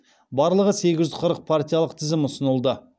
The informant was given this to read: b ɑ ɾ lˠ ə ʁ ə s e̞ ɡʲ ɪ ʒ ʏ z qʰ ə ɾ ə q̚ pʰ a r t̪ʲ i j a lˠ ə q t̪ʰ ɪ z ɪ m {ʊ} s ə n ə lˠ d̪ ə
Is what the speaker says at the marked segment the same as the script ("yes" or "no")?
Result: yes